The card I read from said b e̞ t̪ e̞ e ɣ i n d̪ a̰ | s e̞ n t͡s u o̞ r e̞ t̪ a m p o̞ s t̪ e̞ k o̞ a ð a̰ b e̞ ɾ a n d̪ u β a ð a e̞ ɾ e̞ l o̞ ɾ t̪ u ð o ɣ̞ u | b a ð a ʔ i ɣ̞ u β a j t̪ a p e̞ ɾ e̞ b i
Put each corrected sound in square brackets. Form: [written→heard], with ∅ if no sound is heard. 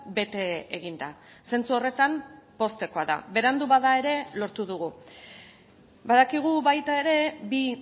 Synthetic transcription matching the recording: b e̞ t̪ e̞ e ɣ i n d̪ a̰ | s e̞ n t͡s u o̞ r e̞ t̪ a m p o̞ s t̪ e̞ k o̞ a ð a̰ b e̞ ɾ a n d̪ u β a ð a e̞ ɾ e̞ l o̞ ɾ t̪ u ð [o→u] ɣ̞ u | b a ð a [ʔ→k] i ɣ̞ u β a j t̪ a [p→∅] e̞ ɾ e̞ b i